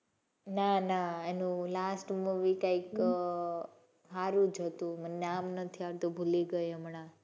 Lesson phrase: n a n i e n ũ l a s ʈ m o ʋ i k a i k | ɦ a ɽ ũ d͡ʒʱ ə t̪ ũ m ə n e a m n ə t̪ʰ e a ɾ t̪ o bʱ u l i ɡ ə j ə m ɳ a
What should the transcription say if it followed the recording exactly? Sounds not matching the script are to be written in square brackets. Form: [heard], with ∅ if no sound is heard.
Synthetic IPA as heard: n a n [a] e n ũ l a s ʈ m [u] ʋ i k a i k | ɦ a [ɾ] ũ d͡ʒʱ ə t̪ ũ m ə n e a m n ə t̪ʰ [i] a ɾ t̪ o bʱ u l i ɡ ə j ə m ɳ a